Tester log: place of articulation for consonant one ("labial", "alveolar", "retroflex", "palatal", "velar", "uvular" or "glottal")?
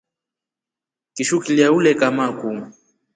velar